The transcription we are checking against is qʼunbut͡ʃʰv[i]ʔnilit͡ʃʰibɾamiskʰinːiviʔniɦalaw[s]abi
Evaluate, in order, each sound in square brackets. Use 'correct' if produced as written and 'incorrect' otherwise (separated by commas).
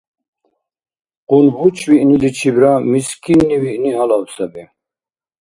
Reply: correct, correct